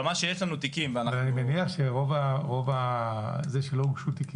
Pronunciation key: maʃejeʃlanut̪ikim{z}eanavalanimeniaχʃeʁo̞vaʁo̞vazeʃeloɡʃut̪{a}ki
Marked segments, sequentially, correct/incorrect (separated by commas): incorrect, incorrect